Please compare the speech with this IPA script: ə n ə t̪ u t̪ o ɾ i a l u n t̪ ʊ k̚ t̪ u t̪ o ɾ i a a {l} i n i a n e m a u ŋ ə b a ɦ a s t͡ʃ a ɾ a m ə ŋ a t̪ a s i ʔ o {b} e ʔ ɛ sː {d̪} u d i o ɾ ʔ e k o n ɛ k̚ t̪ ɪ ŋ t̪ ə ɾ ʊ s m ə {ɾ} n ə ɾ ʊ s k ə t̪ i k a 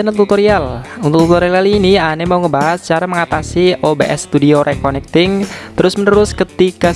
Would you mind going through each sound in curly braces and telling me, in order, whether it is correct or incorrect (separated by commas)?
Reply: correct, correct, incorrect, incorrect